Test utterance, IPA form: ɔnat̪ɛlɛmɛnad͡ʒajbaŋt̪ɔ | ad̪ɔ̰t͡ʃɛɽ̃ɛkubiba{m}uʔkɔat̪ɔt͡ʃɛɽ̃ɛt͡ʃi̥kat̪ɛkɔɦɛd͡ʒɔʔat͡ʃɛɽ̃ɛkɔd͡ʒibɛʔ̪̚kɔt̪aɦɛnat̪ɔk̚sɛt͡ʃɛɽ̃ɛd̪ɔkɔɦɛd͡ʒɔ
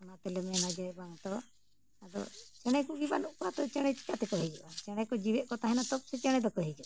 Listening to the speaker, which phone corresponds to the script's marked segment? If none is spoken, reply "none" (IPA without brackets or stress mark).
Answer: n